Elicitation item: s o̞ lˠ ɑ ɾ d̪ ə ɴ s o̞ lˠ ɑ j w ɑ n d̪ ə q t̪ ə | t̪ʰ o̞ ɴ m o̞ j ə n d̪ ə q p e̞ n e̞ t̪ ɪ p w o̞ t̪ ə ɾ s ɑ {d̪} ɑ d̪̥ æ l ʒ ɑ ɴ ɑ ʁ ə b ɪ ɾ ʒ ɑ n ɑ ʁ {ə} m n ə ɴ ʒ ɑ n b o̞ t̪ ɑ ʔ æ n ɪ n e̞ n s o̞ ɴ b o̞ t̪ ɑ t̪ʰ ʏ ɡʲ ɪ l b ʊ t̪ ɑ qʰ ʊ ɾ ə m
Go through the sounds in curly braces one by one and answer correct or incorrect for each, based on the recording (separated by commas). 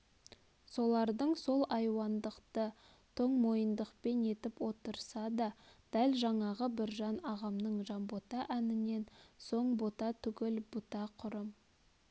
correct, incorrect